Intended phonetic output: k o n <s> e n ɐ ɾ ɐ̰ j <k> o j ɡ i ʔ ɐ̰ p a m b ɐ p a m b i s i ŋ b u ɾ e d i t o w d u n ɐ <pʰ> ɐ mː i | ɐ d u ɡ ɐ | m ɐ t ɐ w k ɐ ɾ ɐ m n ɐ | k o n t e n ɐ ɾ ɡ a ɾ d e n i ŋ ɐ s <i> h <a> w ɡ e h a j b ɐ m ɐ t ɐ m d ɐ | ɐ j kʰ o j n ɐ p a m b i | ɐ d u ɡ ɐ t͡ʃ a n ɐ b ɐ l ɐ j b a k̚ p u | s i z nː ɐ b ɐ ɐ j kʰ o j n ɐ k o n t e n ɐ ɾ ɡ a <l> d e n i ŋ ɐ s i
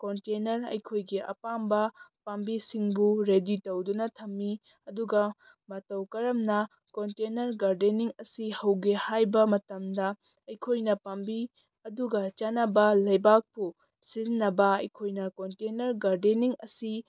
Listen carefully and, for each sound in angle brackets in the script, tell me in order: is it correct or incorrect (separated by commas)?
incorrect, incorrect, incorrect, correct, incorrect, incorrect